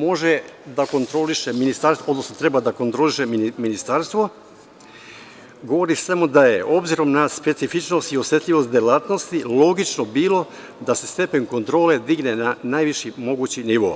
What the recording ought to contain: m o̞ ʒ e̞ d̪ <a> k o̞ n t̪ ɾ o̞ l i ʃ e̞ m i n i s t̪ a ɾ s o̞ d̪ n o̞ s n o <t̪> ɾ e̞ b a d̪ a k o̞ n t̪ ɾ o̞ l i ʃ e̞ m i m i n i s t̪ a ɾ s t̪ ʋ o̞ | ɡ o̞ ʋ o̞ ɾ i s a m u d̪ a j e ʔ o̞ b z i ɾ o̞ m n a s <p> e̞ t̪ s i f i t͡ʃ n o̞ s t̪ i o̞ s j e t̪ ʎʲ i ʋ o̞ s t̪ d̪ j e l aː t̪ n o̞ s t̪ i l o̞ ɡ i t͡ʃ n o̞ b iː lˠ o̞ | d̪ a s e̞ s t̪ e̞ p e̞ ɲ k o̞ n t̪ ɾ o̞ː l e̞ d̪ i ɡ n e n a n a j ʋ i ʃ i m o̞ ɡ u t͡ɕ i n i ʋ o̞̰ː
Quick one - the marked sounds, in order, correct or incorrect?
correct, correct, correct

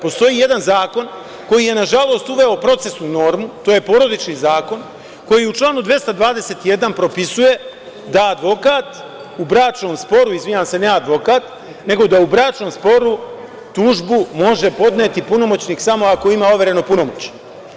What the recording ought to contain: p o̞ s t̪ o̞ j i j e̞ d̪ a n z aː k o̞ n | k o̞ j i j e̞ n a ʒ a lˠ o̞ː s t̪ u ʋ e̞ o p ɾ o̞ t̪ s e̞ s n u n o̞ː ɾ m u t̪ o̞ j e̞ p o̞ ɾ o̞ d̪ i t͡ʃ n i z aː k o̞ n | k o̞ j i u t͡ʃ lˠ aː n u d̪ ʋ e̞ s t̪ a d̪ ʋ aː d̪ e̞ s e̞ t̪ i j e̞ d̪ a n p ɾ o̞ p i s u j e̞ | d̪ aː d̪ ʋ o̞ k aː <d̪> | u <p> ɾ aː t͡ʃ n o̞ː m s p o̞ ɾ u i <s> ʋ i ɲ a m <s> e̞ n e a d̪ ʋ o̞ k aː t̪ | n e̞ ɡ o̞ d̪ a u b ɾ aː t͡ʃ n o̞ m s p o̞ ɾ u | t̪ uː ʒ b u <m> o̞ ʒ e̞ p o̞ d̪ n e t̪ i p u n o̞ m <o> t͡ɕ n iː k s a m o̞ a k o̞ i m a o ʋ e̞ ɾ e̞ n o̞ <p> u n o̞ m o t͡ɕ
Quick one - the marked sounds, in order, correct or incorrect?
incorrect: t̪, incorrect: b, incorrect: z, correct, correct, correct, correct

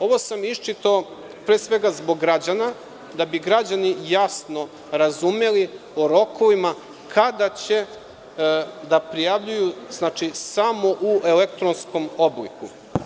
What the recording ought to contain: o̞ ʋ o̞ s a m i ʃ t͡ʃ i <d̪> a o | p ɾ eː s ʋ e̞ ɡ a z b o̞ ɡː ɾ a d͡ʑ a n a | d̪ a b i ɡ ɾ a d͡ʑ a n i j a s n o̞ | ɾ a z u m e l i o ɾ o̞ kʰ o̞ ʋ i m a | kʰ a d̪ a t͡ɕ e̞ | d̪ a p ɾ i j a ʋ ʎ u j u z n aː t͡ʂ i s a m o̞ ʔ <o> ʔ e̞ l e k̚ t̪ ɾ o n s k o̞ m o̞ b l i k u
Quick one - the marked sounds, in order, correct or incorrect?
incorrect: t̪, incorrect: u

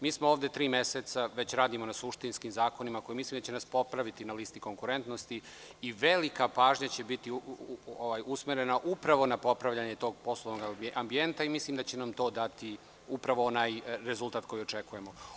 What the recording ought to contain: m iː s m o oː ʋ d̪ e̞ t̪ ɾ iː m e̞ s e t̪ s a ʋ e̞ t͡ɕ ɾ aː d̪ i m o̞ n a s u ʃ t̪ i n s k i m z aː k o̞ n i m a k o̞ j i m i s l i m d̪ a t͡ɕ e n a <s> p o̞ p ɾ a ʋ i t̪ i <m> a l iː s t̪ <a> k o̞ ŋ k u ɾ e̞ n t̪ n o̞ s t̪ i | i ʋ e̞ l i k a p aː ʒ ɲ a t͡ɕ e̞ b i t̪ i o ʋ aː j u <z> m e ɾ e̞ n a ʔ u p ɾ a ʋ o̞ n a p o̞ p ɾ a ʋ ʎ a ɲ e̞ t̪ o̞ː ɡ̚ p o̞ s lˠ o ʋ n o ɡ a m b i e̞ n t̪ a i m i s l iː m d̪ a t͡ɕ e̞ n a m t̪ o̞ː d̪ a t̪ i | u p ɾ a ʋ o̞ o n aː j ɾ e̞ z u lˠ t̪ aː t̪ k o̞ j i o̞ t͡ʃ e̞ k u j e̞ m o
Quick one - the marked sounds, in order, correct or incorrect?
correct, incorrect: n, incorrect: i, incorrect: s

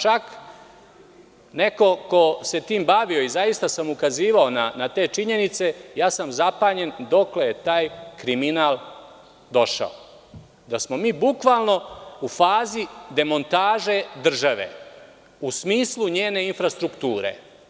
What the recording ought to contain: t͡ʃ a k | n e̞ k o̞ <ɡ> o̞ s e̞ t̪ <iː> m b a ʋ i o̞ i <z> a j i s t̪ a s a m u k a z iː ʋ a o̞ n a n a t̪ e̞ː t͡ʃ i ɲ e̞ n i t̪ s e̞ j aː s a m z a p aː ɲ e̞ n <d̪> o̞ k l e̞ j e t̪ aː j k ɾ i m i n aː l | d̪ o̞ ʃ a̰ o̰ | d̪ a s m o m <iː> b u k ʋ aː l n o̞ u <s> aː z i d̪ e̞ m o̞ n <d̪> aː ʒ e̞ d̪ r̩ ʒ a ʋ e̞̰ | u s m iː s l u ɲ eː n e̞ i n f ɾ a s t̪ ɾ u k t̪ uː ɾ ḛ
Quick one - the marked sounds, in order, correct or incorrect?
incorrect: k, correct, correct, correct, correct, incorrect: f, incorrect: t̪

